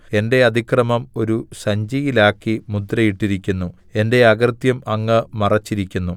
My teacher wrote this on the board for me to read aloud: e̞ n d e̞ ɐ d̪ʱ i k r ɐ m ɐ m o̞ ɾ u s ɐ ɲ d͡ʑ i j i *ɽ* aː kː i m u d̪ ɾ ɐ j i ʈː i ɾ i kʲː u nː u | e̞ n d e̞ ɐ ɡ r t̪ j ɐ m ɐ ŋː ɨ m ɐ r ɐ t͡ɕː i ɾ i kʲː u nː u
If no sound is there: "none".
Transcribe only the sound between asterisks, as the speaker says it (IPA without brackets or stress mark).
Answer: l